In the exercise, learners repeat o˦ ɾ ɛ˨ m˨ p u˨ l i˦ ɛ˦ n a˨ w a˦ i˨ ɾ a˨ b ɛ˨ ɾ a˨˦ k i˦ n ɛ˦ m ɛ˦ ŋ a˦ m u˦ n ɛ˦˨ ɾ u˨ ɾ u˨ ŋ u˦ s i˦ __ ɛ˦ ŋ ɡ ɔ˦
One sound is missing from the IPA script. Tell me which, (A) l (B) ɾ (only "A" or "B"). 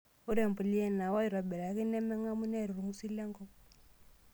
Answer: A